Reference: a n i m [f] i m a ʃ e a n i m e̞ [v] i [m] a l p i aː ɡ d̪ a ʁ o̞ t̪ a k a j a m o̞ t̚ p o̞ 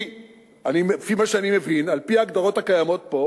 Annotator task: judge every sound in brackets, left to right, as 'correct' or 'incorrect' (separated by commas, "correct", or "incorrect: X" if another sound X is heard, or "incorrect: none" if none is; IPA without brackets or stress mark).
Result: correct, correct, incorrect: n